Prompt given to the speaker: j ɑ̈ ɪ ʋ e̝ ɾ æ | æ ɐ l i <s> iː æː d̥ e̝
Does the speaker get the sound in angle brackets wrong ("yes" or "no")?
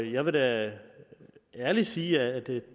no